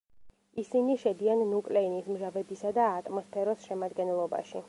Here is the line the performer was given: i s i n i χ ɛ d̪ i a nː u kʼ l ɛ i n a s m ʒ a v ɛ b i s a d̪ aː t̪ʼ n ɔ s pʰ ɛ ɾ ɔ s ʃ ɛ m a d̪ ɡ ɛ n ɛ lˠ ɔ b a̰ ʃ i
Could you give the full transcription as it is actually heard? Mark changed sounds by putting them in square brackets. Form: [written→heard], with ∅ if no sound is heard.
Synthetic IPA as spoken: i s i n i [χ→ʃ] ɛ d̪ i a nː u kʼ l ɛ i n [a→i] s m ʒ a v ɛ b i s a d̪ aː t̪ʼ [n→m] ɔ s pʰ ɛ ɾ ɔ s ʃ ɛ m a d̪ ɡ ɛ n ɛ lˠ ɔ b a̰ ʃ i